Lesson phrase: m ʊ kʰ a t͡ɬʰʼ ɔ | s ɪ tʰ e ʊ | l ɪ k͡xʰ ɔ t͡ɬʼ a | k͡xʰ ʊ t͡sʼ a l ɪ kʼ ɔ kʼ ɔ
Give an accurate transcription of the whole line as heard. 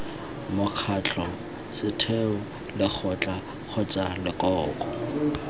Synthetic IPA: m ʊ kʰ a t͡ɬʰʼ ɔ | s ɪ tʰ e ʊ | l ɪ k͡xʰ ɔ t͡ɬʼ a | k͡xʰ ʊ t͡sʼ a l ɪ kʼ ɔː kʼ ɔ